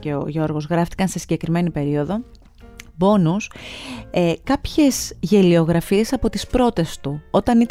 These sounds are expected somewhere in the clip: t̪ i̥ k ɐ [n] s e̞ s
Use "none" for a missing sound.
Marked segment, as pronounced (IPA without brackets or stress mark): n